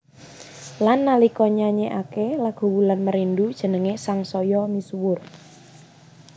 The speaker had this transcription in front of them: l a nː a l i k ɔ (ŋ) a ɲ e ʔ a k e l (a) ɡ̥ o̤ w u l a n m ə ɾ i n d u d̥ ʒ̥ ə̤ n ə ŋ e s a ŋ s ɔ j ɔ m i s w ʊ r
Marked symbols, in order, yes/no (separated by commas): no, yes